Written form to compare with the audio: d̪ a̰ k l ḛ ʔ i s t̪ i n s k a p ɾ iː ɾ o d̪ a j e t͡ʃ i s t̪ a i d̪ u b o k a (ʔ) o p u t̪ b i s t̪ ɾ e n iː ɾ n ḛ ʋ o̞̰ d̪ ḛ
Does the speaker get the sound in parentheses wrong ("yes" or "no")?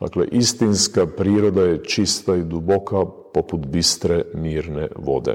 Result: yes